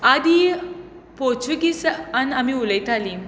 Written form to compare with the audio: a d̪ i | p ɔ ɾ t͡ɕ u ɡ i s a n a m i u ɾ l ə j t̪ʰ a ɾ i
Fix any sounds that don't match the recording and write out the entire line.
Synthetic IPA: a d̪ i | p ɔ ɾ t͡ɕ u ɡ i s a n a m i u l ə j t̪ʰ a l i